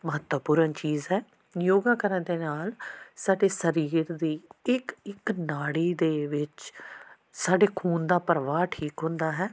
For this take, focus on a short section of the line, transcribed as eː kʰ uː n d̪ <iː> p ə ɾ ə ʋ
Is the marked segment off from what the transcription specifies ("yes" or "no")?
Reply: yes